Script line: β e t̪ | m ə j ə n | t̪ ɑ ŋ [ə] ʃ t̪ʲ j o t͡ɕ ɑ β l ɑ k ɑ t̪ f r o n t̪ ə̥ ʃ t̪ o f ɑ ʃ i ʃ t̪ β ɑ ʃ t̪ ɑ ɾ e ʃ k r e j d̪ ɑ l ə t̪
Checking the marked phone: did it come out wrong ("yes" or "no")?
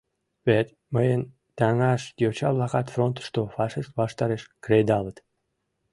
yes